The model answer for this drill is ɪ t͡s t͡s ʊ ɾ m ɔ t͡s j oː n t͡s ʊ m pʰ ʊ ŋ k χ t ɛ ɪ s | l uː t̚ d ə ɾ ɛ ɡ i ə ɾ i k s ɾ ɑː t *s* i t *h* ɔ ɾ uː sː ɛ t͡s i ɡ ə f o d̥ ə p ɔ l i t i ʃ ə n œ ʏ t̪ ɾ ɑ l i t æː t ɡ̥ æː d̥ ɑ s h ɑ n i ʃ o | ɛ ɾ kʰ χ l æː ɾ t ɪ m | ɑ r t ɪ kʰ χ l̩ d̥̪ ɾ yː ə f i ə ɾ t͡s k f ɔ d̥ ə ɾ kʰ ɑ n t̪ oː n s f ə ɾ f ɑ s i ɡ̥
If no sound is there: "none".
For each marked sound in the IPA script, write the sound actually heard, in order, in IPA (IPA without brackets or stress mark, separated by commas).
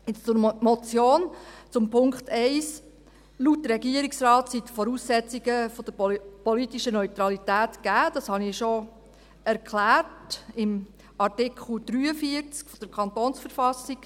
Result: s, f